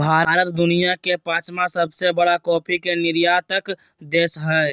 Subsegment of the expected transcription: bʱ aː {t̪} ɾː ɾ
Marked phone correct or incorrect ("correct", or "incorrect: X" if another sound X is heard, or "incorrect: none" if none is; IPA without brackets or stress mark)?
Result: incorrect: none